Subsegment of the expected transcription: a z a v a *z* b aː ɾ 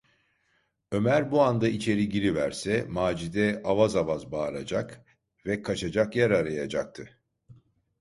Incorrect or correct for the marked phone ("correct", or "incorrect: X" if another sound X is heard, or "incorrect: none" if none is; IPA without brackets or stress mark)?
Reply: correct